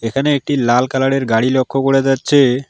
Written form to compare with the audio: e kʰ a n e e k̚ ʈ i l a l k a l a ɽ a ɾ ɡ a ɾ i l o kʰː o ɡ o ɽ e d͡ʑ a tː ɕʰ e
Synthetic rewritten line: e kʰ a n e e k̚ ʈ i l a l k a l a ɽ e ɾ ɡ a ɽ i l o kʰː o k o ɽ e d͡ʑ a tː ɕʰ e